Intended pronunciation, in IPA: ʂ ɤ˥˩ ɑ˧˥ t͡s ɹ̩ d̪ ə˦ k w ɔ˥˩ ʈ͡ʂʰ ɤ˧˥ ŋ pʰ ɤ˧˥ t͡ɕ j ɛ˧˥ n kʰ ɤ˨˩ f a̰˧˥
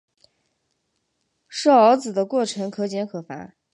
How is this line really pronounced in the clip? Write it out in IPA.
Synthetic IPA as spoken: ʂ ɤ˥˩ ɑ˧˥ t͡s ɹ̩ d̪ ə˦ k w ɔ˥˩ ʈ͡ʂʰ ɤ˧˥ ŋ kʰ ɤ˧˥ t͡ɕ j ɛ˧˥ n kʰ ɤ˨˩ f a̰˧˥